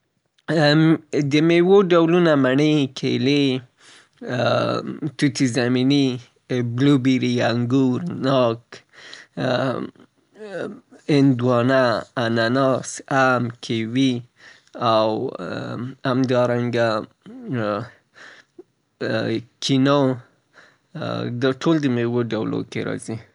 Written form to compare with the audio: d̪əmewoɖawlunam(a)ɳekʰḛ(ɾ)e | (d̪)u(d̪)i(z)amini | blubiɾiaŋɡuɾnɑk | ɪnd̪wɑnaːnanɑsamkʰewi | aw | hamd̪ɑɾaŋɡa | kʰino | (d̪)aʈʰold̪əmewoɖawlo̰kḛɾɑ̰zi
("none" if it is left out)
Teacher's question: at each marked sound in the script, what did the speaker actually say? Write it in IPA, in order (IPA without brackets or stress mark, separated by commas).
a, l, t̪, t̪, z, d̪